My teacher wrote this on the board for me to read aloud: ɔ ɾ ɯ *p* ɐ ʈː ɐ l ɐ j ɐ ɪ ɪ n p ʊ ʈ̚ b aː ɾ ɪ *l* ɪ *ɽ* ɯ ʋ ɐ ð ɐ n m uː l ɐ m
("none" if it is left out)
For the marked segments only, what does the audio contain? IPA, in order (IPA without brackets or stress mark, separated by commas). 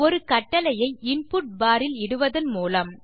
k, l, ɽ